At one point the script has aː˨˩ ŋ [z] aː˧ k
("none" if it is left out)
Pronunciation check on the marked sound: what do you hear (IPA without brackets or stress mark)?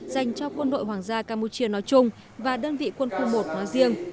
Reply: z